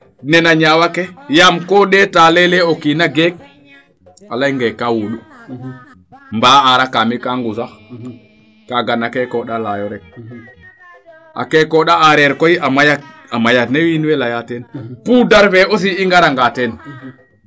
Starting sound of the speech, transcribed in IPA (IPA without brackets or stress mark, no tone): n